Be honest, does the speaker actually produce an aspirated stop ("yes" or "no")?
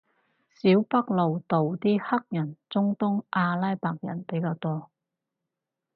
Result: no